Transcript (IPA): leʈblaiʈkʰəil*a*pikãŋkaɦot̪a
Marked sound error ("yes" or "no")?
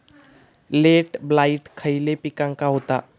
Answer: yes